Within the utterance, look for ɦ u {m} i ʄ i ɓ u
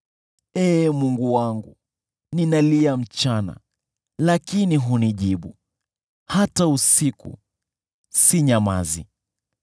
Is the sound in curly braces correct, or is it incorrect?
incorrect